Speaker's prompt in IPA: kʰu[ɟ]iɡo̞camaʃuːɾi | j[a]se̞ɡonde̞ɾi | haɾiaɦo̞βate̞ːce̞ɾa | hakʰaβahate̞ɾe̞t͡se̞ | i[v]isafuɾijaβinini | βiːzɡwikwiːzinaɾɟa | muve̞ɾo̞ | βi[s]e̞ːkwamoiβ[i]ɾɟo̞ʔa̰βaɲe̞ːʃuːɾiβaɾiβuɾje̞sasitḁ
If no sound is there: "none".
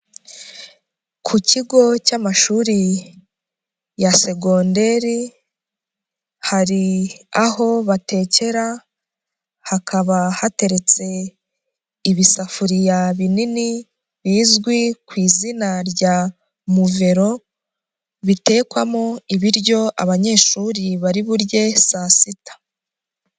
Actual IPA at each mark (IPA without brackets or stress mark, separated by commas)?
c, a, β, t, i